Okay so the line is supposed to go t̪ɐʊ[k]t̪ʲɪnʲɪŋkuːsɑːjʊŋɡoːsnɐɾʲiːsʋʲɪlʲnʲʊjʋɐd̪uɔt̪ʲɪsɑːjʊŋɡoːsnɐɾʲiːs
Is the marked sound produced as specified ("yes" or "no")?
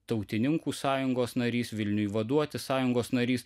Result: no